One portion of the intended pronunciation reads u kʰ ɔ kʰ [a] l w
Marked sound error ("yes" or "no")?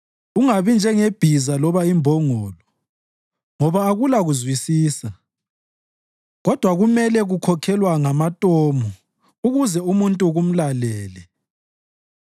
yes